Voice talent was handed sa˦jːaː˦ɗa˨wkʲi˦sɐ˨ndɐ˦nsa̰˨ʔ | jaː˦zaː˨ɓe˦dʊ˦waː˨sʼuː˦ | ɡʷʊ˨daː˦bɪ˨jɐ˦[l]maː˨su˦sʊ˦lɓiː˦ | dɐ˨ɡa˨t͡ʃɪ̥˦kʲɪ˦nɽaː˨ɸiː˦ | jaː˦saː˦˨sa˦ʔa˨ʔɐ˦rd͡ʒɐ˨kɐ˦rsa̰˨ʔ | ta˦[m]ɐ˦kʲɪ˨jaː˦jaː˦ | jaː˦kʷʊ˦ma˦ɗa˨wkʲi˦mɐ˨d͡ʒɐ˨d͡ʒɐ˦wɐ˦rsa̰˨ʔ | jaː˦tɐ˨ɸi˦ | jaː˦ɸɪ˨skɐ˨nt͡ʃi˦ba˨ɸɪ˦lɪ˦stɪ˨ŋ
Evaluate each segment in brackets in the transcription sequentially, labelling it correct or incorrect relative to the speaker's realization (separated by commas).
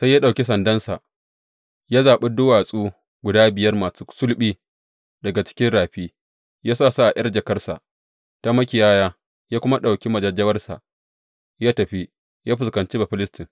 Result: incorrect, correct